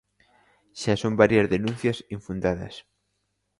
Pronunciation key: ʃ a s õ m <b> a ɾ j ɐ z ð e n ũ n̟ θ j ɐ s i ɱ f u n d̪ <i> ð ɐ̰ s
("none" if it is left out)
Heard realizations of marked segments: b, a

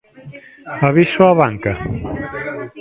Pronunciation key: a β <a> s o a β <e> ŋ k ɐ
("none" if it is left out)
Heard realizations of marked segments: i, a

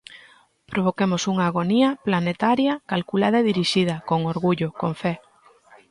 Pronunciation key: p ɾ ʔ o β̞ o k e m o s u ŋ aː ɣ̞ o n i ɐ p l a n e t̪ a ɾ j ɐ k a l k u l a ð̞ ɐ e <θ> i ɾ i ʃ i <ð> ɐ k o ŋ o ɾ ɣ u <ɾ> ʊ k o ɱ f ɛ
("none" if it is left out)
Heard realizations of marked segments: ð, ð, ʎ

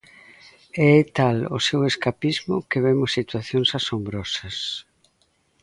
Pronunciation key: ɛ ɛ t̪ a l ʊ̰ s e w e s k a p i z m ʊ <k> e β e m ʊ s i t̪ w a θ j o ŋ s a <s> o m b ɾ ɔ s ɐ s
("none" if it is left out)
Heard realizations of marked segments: k, s

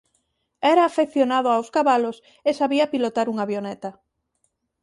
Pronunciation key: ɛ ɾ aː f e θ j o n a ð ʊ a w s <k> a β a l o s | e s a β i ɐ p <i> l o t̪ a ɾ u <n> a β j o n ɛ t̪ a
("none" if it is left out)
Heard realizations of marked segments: k, i, ŋ

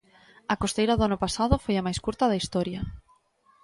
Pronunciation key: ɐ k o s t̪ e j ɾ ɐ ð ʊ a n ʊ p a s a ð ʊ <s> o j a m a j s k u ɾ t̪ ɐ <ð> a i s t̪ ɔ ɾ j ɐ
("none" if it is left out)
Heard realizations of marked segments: f, ð

